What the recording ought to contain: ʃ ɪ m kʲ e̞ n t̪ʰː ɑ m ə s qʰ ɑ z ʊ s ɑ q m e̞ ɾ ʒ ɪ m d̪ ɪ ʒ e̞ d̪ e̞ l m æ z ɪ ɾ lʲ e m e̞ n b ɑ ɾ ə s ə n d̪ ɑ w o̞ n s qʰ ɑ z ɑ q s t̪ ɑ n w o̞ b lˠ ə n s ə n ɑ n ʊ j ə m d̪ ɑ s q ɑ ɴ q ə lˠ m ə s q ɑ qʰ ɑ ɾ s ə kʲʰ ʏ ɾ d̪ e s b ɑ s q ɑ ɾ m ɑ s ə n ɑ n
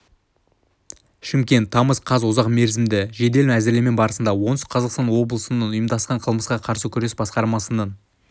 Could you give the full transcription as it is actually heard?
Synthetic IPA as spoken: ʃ ɪ m kʲ e̞ n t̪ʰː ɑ m ə s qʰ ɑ z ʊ z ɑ q m e̞ ɾ z ɪ m d̪ ɪ ʒ e̞ d̪ e̞ l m æ z ɪ ɾ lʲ e m e̞ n b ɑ ɾ ə s ə n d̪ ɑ w o̞ n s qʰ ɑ z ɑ q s t̪ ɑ n w o̞ b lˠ ə s ə n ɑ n ʊ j ə m d̪ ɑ s q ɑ ɴ qʰ ə lˠ m ə s q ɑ qʰ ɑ ɾ s ə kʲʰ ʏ ɾ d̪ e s b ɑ s q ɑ ɾ m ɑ s ə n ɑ n